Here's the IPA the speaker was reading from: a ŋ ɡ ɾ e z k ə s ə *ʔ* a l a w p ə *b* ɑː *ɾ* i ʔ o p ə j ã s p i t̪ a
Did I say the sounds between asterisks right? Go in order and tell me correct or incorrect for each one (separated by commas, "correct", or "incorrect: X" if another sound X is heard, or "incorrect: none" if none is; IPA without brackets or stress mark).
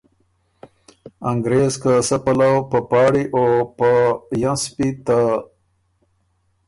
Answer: incorrect: p, incorrect: p, incorrect: ɽ